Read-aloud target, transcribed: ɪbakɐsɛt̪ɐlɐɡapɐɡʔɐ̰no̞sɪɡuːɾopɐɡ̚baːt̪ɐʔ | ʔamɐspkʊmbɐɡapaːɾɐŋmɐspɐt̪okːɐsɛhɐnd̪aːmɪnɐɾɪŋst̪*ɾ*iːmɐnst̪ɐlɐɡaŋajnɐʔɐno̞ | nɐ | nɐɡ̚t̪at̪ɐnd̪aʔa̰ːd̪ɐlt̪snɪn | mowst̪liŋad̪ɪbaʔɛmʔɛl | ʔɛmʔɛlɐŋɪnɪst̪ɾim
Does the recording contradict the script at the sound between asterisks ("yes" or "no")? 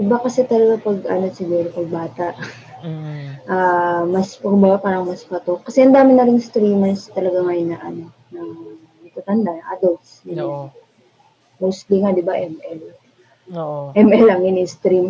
no